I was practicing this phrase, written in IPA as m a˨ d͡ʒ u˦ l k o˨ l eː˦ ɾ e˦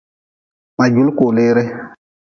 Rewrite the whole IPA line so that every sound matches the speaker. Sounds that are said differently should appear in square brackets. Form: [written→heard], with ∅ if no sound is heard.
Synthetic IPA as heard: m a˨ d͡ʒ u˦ l k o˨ l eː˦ ɾ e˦